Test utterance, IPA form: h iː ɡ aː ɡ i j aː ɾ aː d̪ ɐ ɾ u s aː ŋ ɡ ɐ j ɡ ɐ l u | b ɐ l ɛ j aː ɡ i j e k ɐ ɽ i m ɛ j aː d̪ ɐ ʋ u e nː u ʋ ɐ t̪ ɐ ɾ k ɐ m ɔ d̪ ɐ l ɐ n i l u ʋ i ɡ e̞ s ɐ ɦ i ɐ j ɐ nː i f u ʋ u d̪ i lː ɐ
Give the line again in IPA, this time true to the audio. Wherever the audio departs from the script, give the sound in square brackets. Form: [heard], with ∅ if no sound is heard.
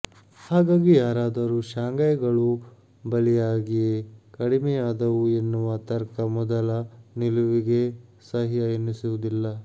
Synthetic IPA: h [aː] ɡ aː ɡ i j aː ɾ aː d̪ ɐ ɾ u [ʃ] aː ŋ ɡ ɐ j ɡ ɐ [ɭ] u | b ɐ l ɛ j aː ɡ i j e k ɐ ɽ i m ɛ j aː d̪ ɐ ʋ u e nː u ʋ ɐ t̪ ɐ ɾ k ɐ m ɔ d̪ ɐ l ɐ n i l u ʋ i ɡ e̞ s ɐ ɦ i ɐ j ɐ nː i [s] u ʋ u d̪ i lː ɐ